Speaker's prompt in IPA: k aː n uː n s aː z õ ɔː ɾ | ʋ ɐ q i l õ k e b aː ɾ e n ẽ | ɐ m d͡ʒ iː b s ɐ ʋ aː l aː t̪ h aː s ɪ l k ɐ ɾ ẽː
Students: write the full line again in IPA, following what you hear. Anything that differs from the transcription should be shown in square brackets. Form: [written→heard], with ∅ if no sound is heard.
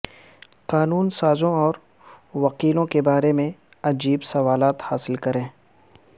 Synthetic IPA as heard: [k→q] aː n uː n s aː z õ ɔː ɾ | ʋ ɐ q [i→iː] l õ k e b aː ɾ e [n→m] ẽ | ɐ [m→∅] d͡ʒ iː b s ɐ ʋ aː l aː t̪ h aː s ɪ l k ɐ ɾ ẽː